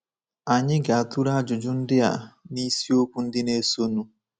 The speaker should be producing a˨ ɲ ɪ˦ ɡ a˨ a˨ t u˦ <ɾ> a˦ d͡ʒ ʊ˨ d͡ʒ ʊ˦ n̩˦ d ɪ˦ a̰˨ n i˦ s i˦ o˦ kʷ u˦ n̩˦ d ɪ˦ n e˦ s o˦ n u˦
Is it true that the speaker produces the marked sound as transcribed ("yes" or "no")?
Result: yes